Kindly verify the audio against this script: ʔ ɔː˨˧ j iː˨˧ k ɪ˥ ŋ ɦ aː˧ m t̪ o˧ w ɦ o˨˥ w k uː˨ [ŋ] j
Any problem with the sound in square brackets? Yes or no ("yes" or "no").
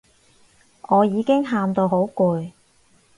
yes